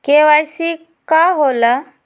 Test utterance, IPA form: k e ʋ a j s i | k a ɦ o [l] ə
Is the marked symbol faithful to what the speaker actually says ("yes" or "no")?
yes